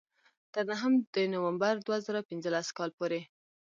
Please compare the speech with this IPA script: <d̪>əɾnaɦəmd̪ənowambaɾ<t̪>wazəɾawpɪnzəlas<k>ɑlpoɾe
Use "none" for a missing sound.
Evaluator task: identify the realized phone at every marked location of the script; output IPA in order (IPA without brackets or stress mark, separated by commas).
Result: t̪, d̪, k